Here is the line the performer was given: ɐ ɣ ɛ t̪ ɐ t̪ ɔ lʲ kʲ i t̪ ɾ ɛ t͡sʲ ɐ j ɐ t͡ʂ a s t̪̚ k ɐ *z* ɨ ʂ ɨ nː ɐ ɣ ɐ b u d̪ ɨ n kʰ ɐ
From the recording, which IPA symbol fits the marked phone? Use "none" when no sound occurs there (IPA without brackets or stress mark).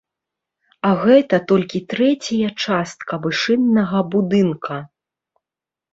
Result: v